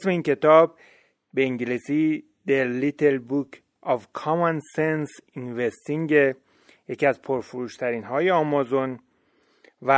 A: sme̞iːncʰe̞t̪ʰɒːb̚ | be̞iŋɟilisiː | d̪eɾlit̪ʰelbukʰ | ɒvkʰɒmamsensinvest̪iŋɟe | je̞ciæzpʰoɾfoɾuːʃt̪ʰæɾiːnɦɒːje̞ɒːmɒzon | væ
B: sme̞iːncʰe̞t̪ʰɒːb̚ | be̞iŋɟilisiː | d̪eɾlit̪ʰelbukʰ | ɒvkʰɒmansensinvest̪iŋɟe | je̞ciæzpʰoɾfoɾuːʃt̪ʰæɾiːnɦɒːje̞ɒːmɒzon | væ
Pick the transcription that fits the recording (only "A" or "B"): B